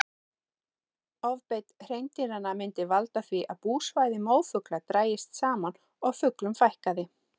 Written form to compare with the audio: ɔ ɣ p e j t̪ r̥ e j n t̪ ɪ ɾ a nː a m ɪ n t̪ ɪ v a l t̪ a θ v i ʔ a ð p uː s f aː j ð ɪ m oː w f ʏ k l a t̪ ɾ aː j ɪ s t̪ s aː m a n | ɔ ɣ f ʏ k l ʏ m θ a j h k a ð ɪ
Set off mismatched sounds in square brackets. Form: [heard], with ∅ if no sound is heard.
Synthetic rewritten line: ɔ [v] p e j t̪ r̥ e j n t̪ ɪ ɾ a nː a m ɪ n t̪ ɪ v a l t̪ a θ v i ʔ a ð p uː s [v] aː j ð ɪ m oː w f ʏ k l a t̪ ɾ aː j ɪ s t̪ s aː m a n | ɔ ɣ f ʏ k l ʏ m [f] a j h k a ð ɪ